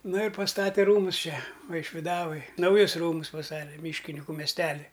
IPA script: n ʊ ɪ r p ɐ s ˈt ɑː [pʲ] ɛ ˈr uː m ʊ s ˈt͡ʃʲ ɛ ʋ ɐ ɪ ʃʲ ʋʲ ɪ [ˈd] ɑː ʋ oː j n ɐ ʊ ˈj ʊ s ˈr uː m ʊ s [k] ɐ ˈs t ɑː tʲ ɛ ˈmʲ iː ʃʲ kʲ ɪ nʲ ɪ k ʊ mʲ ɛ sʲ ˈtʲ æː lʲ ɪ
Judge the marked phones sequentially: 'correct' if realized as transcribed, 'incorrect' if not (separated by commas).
incorrect, correct, incorrect